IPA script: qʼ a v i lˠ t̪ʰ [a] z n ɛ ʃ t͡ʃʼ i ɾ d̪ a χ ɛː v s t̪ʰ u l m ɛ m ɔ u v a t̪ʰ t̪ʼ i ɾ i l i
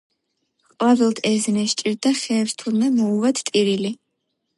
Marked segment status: incorrect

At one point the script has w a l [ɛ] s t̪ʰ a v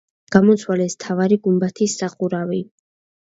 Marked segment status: correct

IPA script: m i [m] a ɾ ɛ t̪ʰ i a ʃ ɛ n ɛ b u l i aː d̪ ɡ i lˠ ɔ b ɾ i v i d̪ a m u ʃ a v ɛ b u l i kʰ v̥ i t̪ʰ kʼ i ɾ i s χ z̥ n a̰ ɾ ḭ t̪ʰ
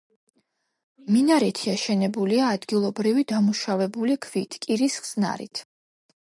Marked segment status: incorrect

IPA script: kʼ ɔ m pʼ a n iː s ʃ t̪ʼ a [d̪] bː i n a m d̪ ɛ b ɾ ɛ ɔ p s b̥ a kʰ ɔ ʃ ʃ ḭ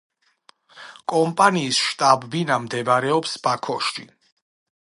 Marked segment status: incorrect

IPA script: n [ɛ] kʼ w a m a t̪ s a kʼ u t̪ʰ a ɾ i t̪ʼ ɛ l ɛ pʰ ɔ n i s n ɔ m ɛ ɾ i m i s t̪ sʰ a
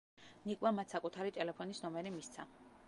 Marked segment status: incorrect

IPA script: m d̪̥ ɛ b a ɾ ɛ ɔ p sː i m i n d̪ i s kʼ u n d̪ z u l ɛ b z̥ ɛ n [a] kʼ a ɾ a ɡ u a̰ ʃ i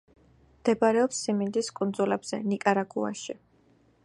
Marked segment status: incorrect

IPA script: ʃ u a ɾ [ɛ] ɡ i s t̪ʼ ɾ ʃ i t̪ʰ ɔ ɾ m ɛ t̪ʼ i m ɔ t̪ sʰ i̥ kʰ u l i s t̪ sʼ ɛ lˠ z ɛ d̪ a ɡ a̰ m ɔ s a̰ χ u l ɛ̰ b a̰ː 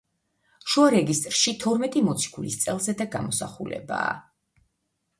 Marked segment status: correct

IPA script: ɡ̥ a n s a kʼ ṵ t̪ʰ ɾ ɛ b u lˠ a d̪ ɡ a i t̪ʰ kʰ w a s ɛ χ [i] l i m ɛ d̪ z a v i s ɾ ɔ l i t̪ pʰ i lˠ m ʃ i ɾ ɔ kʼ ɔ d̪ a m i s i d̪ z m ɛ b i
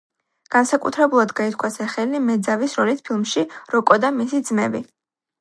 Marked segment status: incorrect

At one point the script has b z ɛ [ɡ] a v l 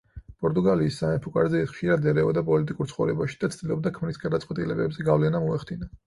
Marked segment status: correct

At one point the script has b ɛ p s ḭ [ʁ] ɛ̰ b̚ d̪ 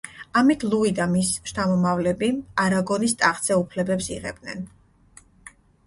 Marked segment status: correct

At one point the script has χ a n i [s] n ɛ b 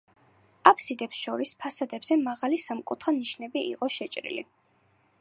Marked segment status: incorrect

